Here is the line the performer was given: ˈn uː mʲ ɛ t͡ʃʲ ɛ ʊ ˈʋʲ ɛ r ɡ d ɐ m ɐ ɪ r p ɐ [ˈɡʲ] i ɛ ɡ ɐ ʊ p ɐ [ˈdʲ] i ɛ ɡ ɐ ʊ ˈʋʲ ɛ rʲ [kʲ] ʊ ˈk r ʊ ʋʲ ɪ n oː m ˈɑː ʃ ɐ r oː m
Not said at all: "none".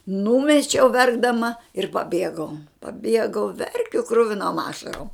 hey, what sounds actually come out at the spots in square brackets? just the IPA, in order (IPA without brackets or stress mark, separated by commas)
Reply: bʲ, bʲ, kʲ